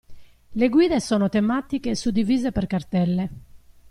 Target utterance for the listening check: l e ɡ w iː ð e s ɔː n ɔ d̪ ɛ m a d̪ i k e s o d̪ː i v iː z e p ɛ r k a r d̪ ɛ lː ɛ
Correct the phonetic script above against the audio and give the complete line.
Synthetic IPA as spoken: l e ɡ w iː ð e s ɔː n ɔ t̪ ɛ m a t̪ i k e s u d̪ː i v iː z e p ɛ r k a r t̪ ɛ lː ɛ